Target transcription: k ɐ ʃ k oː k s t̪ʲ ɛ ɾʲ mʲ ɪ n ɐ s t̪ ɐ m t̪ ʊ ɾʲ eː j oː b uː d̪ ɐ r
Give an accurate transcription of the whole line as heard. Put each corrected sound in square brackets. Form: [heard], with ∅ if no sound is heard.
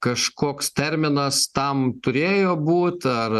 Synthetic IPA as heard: k ɐ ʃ k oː k s t̪ʲ ɛ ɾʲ mʲ ɪ n ɐ s t̪ ɐ m t̪ ʊ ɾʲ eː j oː b uː [t̪] ɐ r